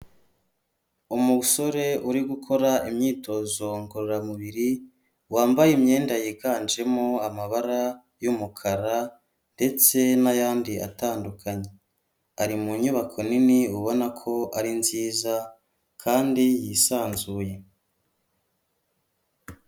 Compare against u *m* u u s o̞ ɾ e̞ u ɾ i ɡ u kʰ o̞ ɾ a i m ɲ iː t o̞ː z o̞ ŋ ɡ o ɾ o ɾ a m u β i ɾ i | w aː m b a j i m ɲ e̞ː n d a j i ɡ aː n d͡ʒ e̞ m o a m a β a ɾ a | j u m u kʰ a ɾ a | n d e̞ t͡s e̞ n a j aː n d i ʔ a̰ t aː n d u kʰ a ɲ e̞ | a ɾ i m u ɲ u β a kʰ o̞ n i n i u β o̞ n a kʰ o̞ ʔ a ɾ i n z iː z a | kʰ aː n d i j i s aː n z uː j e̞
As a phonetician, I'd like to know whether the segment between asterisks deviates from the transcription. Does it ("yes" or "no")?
no